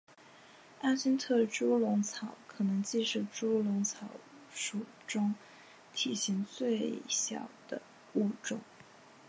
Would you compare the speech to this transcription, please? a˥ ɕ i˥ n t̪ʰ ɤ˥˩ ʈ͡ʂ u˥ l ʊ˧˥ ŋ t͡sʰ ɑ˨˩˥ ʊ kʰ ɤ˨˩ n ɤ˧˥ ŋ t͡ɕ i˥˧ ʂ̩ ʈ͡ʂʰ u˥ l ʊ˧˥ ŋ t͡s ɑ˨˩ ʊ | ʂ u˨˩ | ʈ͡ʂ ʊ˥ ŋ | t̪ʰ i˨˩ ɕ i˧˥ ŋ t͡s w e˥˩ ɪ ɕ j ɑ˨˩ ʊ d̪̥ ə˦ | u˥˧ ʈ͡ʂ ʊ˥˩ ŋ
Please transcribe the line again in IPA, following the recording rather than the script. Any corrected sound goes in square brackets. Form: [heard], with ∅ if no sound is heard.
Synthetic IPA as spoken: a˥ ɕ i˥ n t̪ʰ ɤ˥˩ ʈ͡ʂ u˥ l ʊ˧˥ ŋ t͡sʰ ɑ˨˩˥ ʊ kʰ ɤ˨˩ n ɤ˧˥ ŋ t͡ɕ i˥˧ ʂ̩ [ʈ͡ʂ] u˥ l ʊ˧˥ ŋ [t͡sʰ] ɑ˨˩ ʊ | ʂ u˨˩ | ʈ͡ʂ ʊ˥ ŋ | t̪ʰ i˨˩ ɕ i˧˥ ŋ t͡s w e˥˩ ɪ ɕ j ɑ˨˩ ʊ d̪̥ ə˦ | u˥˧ ʈ͡ʂ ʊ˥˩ ŋ

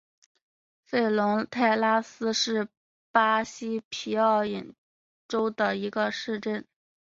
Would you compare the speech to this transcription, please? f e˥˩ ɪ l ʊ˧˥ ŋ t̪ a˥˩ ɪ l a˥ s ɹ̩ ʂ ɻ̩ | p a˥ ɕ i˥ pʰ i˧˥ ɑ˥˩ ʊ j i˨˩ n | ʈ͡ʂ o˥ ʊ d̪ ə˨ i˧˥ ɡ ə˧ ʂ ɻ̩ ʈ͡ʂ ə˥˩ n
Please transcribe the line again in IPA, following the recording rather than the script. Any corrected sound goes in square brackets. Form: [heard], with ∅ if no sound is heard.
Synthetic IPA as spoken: f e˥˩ ɪ l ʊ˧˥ ŋ [t̪ʰ] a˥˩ ɪ l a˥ s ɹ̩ ʂ ɻ̩ | p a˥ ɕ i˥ pʰ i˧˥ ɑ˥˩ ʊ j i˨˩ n | ʈ͡ʂ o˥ ʊ d̪ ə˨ i˧˥ ɡ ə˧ ʂ ɻ̩ ʈ͡ʂ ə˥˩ n

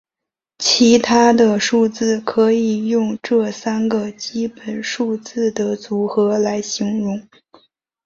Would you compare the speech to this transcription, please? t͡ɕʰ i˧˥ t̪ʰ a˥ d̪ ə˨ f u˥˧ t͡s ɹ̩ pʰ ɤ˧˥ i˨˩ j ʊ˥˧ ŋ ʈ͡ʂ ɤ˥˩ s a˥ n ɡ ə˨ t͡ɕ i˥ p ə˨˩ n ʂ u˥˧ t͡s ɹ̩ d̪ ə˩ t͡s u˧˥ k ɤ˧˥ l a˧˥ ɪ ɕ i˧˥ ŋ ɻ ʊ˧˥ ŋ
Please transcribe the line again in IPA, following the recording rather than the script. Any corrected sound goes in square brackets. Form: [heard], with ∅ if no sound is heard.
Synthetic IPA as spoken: t͡ɕʰ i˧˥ t̪ʰ a˥ d̪ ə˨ [ʂ] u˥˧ t͡s ɹ̩ [kʰ] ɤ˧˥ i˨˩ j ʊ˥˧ ŋ ʈ͡ʂ ɤ˥˩ s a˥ n ɡ ə˨ t͡ɕ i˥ p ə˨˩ n ʂ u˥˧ t͡s ɹ̩ d̪ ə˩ t͡s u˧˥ [x] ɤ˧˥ l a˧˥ ɪ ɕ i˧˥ ŋ ɻ ʊ˧˥ ŋ

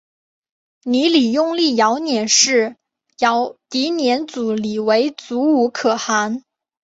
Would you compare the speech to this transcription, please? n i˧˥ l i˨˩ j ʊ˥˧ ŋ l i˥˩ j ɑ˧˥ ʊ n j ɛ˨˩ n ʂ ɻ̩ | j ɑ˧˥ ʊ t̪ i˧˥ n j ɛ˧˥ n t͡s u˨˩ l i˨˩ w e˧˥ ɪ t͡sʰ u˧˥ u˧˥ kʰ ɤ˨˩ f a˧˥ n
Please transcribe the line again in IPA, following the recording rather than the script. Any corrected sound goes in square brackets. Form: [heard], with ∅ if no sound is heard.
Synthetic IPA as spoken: n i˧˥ l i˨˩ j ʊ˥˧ ŋ l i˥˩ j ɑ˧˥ ʊ n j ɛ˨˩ n ʂ ɻ̩ | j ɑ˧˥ ʊ t̪ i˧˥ n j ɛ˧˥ n t͡s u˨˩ l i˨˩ w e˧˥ ɪ [t͡s] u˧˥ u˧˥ kʰ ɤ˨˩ [x] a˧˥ n

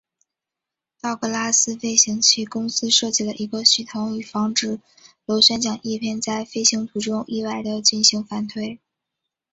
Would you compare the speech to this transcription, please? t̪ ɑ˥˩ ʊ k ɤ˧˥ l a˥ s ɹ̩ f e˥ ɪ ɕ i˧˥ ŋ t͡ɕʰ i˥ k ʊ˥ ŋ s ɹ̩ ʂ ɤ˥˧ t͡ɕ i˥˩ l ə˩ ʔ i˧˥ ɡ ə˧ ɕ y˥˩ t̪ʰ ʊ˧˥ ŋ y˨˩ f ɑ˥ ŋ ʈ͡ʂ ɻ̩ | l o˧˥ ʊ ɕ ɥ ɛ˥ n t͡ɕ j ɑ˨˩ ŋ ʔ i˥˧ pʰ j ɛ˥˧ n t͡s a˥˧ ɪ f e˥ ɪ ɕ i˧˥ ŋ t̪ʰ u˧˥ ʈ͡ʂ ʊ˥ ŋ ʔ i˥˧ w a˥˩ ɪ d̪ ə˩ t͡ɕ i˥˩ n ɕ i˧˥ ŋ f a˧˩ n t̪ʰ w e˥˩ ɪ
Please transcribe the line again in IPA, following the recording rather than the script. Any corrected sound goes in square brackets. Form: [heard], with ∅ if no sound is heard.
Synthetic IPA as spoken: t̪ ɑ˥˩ ʊ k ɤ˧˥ l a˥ s ɹ̩ f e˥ ɪ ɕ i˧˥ ŋ t͡ɕʰ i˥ k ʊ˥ ŋ s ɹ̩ ʂ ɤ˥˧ t͡ɕ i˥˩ l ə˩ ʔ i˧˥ ɡ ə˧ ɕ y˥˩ t̪ʰ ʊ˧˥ ŋ y˨˩ f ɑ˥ ŋ ʈ͡ʂ ɻ̩ | l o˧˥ ʊ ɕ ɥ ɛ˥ n t͡ɕ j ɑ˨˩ ŋ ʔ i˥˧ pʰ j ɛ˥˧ n t͡s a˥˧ ɪ f e˥ ɪ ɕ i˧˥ ŋ t̪ʰ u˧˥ ʈ͡ʂ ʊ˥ ŋ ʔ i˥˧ w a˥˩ ɪ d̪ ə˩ t͡ɕ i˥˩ n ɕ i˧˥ ŋ f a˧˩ n t̪ʰ w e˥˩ ɪ

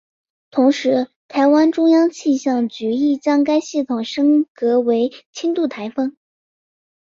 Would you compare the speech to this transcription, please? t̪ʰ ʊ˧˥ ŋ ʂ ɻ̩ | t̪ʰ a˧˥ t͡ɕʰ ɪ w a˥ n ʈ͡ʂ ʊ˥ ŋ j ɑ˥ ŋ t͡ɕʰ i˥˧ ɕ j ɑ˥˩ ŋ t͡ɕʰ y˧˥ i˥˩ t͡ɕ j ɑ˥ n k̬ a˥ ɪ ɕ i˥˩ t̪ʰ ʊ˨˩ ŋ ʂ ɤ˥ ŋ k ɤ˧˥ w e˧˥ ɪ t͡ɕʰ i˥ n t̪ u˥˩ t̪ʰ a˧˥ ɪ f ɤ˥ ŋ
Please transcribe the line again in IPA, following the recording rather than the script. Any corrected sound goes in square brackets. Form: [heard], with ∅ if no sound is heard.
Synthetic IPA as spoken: t̪ʰ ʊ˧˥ ŋ ʂ ɻ̩ | t̪ʰ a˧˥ [∅] ɪ w a˥ n ʈ͡ʂ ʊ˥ ŋ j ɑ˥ ŋ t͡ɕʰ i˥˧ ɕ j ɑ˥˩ ŋ [t͡ɕ] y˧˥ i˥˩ t͡ɕ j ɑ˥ [ŋ] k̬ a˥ ɪ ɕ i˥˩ t̪ʰ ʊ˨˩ ŋ ʂ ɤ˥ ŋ k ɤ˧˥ w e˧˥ ɪ t͡ɕʰ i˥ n t̪ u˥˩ t̪ʰ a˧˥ ɪ f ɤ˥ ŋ

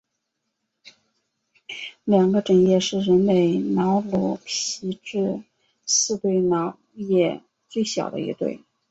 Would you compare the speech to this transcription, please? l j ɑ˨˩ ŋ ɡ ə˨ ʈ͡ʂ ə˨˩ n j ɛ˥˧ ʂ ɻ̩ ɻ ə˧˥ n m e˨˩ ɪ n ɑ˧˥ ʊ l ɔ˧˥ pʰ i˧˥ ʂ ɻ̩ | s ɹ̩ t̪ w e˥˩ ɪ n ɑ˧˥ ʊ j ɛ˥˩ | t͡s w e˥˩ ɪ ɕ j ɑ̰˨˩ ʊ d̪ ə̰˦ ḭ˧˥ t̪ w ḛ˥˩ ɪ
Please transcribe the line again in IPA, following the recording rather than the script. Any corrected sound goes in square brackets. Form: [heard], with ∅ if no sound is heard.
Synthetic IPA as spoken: l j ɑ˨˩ ŋ ɡ [ə˦] ʈ͡ʂ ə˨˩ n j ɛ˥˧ ʂ ɻ̩ ɻ ə˧˥ n m e˨˩ ɪ n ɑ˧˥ ʊ l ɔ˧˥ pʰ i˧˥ [ʈ͡ʂ] ɻ̩ | s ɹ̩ t̪ w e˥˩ ɪ n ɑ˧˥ ʊ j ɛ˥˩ | t͡s w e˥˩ ɪ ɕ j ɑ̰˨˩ ʊ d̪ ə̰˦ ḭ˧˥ t̪ w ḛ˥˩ ɪ

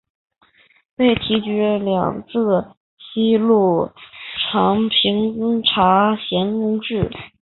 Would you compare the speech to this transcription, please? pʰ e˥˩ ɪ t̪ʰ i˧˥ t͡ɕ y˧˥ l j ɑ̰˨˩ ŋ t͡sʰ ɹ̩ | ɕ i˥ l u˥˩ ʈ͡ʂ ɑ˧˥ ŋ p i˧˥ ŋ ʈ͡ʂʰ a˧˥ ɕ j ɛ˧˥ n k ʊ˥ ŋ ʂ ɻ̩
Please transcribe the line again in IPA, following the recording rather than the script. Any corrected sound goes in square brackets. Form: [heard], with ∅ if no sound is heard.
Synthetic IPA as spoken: [p] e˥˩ ɪ t̪ʰ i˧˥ t͡ɕ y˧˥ l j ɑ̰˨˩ ŋ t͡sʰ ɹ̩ | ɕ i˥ l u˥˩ [ʈ͡ʂʰ] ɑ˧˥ ŋ [pʰ] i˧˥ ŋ ʈ͡ʂʰ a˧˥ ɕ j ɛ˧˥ n k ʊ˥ ŋ [ʈ͡ʂ] ɻ̩

